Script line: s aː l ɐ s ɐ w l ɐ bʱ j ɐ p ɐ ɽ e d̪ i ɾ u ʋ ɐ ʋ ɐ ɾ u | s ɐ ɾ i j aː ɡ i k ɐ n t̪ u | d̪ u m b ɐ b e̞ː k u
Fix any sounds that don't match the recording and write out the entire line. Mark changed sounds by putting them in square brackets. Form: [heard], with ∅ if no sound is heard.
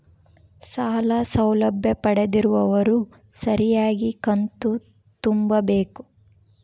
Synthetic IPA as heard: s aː l ɐ s ɐ w l ɐ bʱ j ɐ p ɐ ɽ e d̪ i ɾ u ʋ ɐ ʋ ɐ ɾ u | s ɐ ɾ i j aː ɡ i k ɐ n t̪ u | [t̪] u m b ɐ b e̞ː k u